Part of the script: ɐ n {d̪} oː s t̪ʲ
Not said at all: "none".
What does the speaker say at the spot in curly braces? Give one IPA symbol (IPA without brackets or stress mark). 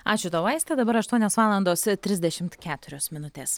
d̪